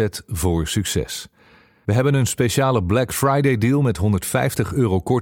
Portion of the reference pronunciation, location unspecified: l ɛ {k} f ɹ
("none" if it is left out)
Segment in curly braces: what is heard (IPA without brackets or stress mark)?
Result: k